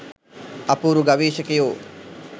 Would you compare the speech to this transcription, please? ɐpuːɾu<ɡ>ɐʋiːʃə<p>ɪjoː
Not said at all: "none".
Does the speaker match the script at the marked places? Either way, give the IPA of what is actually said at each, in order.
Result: ɡ, k

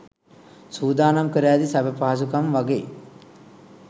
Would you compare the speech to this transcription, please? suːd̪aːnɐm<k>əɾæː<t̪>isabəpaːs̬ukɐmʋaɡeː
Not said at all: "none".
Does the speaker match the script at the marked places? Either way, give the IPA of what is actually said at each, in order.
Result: k, d̪

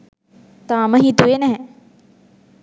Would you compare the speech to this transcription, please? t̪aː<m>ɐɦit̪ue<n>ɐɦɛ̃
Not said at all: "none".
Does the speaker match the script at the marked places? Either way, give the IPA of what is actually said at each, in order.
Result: m, n

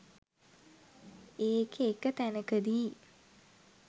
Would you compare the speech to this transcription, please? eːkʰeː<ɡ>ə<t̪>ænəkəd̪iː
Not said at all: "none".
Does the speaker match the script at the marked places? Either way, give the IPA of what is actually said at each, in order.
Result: k, t̪

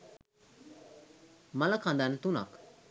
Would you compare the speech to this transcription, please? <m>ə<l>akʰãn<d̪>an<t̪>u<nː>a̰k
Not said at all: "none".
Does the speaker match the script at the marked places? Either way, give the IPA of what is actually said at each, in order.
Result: m, l, d̪, t̪, n

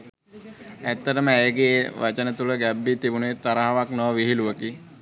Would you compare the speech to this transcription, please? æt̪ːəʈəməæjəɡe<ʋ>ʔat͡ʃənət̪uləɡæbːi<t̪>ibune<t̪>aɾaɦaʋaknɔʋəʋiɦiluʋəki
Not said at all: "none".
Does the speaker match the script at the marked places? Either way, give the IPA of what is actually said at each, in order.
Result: ʋ, t̪, t̪

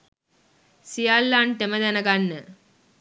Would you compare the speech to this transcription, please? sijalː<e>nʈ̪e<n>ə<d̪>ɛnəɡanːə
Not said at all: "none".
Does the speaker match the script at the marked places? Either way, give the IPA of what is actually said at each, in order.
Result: a, m, d̪

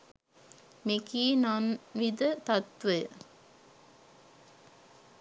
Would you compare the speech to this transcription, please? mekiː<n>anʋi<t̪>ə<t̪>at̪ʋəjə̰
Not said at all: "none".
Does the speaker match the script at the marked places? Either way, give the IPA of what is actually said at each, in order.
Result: n, d̪, t̪

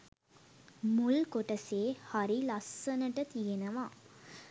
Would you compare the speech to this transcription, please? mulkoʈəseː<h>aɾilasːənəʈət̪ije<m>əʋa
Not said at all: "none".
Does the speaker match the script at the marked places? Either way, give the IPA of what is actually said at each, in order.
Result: h, n

